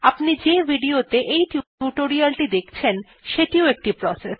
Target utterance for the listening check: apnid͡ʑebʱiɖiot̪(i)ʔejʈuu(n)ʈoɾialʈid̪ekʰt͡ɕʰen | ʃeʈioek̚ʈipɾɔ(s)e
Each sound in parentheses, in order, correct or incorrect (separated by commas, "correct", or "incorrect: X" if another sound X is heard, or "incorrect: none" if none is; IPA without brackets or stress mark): incorrect: e, incorrect: none, correct